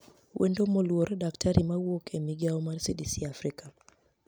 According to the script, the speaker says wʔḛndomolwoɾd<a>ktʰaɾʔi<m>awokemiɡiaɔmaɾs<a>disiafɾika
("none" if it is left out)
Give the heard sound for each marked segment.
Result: a, m, i

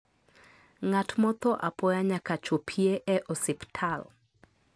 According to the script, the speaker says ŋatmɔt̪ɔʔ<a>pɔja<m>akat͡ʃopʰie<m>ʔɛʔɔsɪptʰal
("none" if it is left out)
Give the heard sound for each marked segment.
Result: a, ɲ, none

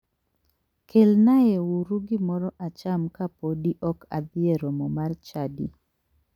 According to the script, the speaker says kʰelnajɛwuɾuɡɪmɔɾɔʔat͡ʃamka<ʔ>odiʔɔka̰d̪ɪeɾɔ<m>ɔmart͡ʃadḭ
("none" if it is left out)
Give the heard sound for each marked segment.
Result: p, m

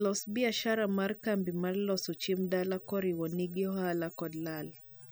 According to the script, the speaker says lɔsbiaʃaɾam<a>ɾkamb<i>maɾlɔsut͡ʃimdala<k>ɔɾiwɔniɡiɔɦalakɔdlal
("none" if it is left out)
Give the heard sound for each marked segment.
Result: a, i, k

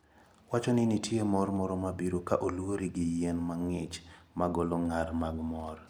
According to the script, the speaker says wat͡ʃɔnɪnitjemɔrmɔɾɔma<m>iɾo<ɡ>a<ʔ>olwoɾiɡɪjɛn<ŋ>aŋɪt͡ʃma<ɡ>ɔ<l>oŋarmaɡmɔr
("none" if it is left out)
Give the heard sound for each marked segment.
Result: b, k, ʔ, m, ɡ, l

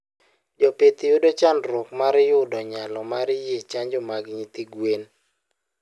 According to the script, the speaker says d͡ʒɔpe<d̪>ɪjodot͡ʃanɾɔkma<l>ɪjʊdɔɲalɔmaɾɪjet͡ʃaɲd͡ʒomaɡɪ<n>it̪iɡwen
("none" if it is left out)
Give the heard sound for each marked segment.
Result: t̪, ɾ, ɲ

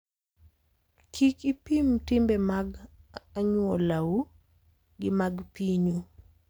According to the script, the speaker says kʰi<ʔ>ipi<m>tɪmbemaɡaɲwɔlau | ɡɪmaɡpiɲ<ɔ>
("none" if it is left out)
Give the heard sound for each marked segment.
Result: k, m, u

